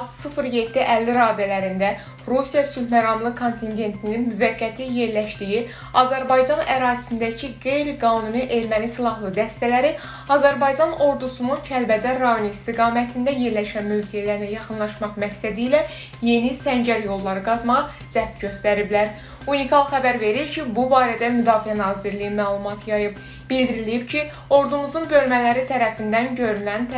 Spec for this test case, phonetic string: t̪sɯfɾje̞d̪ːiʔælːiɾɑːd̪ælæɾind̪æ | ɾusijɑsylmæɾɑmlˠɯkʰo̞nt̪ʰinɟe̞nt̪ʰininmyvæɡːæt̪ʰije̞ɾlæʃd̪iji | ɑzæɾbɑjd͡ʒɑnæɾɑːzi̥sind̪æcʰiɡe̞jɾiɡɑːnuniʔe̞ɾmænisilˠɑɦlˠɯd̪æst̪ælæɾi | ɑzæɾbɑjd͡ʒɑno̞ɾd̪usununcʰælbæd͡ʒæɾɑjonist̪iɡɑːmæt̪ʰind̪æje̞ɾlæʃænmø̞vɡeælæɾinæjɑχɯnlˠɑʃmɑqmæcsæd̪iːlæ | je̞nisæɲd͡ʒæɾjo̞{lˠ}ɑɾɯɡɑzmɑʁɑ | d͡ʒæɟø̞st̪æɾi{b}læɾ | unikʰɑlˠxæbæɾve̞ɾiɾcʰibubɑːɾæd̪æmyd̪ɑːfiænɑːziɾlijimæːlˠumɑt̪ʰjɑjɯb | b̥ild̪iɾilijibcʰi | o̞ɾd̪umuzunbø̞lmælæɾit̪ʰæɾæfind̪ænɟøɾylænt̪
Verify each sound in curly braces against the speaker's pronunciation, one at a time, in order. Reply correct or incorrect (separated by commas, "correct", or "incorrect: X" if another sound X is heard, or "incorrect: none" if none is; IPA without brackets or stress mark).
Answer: incorrect: lˠː, correct